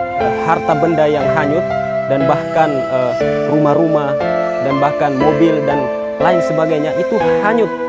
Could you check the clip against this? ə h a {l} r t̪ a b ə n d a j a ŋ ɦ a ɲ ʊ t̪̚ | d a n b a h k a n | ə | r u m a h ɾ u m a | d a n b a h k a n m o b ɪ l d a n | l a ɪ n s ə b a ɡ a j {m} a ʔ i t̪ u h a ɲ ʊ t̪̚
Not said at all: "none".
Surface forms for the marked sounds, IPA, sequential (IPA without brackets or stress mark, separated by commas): none, ɲ